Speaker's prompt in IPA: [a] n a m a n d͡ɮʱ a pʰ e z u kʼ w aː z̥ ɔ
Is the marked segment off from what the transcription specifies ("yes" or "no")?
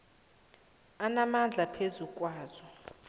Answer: no